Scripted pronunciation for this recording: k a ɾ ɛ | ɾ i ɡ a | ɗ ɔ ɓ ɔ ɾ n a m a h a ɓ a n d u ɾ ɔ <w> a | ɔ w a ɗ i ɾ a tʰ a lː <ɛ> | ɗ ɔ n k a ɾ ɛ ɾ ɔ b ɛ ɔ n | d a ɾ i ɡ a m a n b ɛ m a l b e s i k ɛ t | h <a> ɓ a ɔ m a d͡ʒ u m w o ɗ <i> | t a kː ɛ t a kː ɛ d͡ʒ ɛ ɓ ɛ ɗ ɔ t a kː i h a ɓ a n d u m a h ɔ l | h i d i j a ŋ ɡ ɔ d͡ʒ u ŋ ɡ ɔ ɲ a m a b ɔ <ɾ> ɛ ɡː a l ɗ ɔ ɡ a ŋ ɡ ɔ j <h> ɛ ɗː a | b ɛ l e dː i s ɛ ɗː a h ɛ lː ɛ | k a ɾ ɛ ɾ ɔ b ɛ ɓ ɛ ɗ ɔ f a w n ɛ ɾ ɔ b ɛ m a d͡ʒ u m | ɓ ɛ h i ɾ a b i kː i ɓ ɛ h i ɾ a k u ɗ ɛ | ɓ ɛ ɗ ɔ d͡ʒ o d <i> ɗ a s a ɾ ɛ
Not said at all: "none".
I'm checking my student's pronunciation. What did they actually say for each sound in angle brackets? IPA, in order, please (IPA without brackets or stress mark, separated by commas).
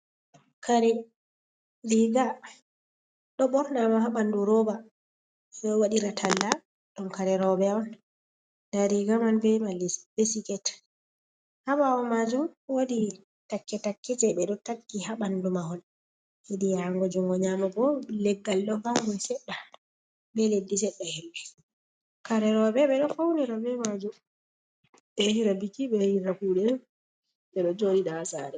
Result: b, a, a, i, l, s, i